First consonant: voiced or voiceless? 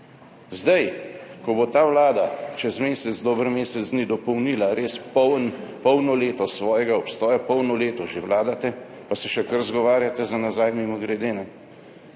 voiced